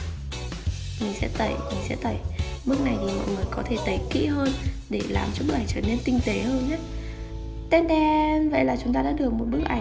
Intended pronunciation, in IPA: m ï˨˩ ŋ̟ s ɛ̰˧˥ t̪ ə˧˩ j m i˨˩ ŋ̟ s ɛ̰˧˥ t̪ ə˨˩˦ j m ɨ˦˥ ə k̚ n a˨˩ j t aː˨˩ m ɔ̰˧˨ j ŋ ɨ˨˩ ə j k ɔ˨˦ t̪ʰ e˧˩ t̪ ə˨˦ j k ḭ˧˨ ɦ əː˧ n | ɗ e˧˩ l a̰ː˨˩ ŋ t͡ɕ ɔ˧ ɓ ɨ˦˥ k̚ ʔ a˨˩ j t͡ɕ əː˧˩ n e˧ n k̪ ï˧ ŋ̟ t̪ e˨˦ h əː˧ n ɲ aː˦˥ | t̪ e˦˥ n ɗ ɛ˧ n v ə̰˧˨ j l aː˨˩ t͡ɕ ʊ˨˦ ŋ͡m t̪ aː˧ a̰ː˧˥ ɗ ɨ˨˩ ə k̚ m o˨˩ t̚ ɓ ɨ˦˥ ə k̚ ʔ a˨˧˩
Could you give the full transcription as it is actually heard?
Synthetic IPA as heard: m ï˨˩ ŋ̟ s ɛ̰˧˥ t̪ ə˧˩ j m i˨˩ ŋ̟ s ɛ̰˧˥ t̪ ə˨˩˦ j m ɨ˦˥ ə k̚ n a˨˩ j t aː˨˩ m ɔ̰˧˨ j ŋ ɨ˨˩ ə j k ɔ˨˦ t̪ʰ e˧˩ t̪ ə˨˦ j k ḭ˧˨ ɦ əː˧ n | ɗ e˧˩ l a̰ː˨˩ m t͡ɕ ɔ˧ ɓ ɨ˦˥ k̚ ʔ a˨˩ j t͡ɕ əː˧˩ n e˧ n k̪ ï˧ ŋ̟ t̪ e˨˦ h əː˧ n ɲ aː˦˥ | t̪ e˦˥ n ɗ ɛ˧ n v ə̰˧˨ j l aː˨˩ t͡ɕ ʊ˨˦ ŋ͡m t̪ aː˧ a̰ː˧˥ ɗ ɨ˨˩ ə k̚ m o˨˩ t̚ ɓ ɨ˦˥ ə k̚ ʔ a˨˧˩